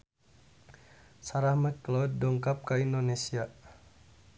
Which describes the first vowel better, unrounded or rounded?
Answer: unrounded